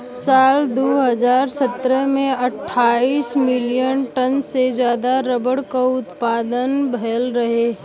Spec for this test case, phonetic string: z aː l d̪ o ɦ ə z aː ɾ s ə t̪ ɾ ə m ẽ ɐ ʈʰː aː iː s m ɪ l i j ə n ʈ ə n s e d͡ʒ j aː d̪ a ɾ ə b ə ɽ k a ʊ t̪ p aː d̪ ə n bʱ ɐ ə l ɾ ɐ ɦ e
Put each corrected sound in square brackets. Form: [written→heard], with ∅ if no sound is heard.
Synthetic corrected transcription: [z→s] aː l d̪ o ɦ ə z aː ɾ s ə t̪ ɾ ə m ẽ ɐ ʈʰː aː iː s m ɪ l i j ə n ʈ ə n s e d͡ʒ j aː d̪ a ɾ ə b ə ɽ k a ʊ t̪ p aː d̪ ə n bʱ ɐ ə l ɾ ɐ ɦ e